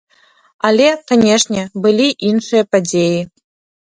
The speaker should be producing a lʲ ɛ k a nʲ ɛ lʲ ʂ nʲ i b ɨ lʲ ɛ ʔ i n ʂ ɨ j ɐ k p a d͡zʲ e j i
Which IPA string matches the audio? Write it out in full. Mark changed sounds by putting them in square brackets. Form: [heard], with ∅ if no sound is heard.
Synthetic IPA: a lʲ ɛ k a nʲ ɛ [∅] ʂ nʲ [ɛ] b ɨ lʲ [i] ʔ i n ʂ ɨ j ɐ [∅] p a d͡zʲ e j i